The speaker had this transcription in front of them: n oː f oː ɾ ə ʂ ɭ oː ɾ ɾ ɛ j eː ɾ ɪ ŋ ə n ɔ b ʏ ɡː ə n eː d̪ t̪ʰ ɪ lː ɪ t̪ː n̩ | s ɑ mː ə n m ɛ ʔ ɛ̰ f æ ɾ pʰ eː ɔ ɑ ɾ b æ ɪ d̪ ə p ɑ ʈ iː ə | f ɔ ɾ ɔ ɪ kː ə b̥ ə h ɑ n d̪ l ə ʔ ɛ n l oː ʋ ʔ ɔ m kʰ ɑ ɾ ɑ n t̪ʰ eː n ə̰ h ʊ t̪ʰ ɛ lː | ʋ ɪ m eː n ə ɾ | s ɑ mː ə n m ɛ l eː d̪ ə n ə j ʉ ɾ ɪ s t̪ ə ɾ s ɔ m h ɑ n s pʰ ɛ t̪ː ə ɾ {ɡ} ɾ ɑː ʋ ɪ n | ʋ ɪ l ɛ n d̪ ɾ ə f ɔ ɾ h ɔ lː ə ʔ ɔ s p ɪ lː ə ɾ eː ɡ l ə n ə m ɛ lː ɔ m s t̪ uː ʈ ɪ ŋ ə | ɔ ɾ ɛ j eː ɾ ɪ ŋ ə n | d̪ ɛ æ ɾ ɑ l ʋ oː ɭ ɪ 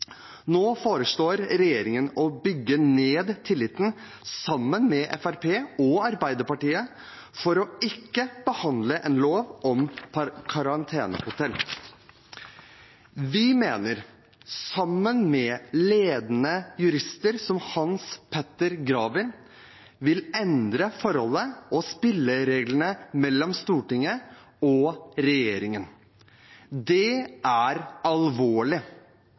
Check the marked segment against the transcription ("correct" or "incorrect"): correct